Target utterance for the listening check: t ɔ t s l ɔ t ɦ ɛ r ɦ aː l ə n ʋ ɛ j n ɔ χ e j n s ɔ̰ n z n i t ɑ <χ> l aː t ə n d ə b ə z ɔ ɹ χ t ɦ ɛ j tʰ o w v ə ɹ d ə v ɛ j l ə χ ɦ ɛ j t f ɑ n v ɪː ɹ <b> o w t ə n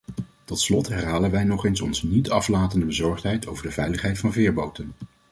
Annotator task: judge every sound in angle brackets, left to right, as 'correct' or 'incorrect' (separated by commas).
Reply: incorrect, correct